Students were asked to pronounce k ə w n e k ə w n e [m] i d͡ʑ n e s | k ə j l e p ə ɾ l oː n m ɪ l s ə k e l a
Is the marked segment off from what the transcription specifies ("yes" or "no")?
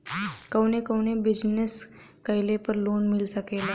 yes